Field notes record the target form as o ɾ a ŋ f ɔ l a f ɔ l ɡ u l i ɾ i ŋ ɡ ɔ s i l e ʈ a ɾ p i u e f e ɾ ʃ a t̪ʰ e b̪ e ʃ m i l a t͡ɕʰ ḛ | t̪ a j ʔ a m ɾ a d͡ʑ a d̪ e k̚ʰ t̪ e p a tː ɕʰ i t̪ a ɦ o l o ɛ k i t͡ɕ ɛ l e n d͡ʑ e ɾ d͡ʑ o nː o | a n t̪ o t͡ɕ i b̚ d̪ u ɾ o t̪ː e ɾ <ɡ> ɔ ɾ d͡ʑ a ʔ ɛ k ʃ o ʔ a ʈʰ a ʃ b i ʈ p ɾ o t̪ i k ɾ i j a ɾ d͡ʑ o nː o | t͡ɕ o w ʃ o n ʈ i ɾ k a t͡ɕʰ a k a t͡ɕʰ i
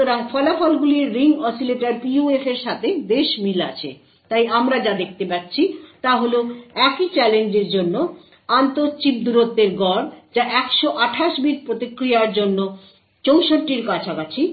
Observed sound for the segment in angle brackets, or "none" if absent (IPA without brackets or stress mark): ɡ